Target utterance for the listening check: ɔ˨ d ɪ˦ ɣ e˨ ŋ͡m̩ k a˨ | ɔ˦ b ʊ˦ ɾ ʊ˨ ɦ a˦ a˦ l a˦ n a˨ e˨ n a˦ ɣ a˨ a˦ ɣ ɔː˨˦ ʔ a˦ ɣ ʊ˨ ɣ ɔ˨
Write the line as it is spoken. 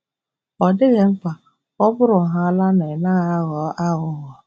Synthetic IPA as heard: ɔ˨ d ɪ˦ ɣ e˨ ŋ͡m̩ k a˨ | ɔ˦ b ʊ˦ ɾ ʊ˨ ɦ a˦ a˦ l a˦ n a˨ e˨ n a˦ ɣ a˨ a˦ ɣ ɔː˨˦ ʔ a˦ ɣ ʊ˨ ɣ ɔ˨